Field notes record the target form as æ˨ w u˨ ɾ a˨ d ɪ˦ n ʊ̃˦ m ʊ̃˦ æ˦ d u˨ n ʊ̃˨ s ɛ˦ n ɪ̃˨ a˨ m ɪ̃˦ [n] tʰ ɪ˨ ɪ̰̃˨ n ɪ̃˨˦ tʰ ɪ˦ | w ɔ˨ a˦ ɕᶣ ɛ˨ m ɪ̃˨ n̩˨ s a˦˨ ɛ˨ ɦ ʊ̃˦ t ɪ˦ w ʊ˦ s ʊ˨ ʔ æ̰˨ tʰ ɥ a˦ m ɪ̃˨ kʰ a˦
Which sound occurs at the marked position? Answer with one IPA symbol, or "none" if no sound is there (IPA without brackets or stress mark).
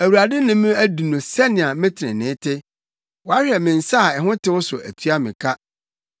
none